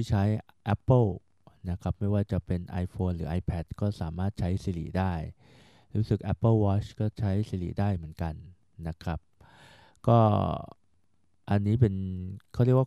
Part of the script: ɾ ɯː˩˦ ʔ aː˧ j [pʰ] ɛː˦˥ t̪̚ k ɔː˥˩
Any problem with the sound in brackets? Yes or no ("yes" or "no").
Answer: no